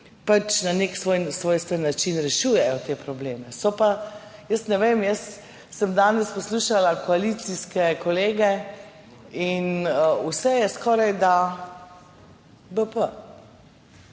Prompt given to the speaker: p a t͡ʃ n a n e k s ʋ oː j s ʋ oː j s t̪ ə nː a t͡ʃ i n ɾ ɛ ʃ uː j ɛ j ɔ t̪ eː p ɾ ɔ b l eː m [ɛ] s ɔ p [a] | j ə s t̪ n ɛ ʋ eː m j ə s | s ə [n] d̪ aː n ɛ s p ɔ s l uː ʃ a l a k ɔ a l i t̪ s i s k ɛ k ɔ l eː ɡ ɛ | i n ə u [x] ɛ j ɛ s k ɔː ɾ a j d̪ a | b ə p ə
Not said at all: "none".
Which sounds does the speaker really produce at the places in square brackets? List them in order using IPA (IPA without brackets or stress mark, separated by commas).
ɛ, a, m, s